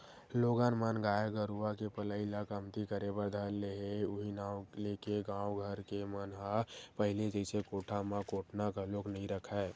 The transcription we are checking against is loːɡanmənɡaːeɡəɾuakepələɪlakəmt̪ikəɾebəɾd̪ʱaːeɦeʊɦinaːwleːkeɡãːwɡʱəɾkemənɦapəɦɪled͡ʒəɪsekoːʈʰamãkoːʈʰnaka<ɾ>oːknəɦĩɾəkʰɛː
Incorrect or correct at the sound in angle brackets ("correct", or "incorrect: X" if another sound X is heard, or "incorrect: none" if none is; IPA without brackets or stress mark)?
incorrect: l